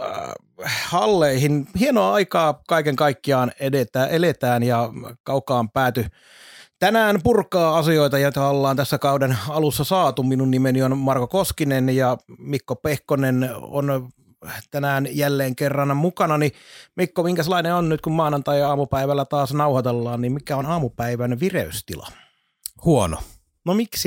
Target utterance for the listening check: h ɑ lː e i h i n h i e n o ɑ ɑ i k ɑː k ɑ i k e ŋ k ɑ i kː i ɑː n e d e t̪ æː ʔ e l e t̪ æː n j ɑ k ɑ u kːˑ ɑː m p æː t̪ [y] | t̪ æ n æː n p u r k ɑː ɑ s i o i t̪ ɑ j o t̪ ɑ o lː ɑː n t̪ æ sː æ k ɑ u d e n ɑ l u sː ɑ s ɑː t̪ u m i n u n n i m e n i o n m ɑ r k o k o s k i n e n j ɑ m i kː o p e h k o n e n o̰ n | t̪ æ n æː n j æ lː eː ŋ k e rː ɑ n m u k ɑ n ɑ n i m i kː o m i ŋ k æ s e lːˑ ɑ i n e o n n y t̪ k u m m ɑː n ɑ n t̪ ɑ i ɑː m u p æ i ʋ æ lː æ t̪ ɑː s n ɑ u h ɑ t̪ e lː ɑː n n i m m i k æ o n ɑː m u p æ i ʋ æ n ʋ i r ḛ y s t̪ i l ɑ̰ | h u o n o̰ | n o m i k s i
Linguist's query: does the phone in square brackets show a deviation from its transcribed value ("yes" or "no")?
no